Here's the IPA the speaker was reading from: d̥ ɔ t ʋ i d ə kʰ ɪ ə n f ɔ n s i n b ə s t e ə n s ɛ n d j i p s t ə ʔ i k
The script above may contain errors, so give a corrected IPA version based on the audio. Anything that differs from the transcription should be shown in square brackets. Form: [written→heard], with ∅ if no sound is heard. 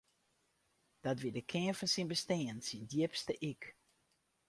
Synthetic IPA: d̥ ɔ t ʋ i d ə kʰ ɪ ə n f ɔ n s i n b ə s t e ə n s [ɛ→i] n d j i p s t ə ʔ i k